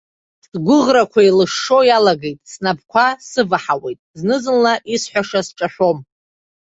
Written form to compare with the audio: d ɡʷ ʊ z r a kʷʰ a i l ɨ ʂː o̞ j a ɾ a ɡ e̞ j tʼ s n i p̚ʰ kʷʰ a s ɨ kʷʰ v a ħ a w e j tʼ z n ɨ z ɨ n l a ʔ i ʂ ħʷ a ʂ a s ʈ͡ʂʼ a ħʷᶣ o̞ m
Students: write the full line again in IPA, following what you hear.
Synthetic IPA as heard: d ɡʷ ʊ ʁ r a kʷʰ a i l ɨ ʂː o̞ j a l a ɡ e̞ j tʼ s n a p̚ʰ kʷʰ a s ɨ v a ħ a w e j tʼ z n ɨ z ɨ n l a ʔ i s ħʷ a ʂ a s ʈ͡ʂʼ a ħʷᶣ o̞ m